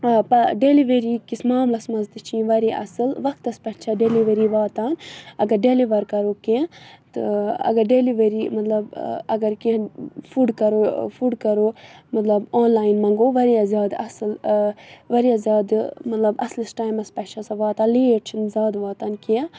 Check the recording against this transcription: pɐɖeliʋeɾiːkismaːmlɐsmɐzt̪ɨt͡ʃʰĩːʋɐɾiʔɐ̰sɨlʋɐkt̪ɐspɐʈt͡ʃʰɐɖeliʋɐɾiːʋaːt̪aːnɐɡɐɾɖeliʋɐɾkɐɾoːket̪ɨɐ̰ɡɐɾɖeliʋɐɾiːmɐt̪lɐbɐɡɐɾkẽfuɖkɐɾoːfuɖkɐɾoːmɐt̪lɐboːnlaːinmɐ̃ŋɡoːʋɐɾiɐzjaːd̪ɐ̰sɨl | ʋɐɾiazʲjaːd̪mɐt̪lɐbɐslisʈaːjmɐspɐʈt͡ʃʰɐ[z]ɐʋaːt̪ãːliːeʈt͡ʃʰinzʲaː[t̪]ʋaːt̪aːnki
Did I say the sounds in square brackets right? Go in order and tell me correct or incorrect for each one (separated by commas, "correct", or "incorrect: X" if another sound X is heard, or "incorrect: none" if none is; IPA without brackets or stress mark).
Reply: incorrect: s, incorrect: d̪